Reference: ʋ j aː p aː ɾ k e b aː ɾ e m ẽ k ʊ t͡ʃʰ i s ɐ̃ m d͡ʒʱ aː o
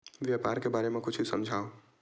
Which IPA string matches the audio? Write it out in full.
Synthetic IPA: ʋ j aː p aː ɾ k e b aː ɾ e m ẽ k ʊ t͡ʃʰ i s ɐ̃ m d͡ʒʱ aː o

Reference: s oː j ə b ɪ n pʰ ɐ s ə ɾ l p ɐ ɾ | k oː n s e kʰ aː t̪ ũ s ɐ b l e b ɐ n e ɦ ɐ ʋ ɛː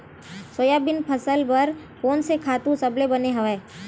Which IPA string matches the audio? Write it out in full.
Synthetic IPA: s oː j a b ɪ n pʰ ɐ s ə l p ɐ ɾ | k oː n s e kʰ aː t̪ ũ s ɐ b l e b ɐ n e ɦ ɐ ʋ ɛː

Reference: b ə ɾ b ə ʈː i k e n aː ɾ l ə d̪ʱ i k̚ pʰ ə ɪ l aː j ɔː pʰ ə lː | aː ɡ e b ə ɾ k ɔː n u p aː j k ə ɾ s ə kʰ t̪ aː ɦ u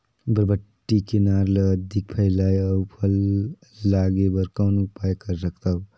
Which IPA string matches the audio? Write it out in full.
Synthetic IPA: b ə ɾ b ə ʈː i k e n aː ɾ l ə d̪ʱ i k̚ pʰ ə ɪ l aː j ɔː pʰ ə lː | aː ɡ e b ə ɾ k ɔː n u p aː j k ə ɾ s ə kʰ t̪ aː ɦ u

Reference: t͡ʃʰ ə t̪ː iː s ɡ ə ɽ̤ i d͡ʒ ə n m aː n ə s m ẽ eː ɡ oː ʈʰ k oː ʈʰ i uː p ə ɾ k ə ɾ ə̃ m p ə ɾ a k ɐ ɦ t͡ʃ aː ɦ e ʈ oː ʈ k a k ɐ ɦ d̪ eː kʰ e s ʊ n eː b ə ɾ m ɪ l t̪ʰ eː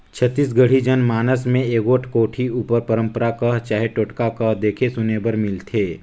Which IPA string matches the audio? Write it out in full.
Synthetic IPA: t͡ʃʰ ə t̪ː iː s ɡ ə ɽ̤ i d͡ʒ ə n m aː n ə s m ẽ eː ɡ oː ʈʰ k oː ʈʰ i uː p ə ɾ p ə ɾ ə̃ m p ə ɾ a k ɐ ɦ t͡ʃ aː ɦ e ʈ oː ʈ k a k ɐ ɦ d̪ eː kʰ e s ʊ n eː b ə ɾ m ɪ l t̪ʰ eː

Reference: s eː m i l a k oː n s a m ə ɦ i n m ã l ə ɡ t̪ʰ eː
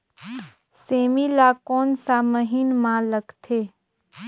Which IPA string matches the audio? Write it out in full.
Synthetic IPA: s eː m i l a k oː n s a m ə ɦ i n m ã l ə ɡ t̪ʰ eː

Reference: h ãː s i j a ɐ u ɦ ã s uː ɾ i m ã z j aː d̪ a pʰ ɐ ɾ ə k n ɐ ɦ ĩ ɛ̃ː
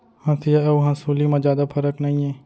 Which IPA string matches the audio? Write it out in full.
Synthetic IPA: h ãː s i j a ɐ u ɦ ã s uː l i m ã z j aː d̪ a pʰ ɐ ɾ ə k n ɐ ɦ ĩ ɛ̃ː

